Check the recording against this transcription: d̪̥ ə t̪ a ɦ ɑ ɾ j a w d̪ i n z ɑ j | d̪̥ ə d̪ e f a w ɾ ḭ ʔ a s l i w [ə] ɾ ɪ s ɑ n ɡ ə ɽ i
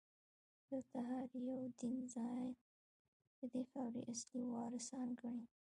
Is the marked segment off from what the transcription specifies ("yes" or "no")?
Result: yes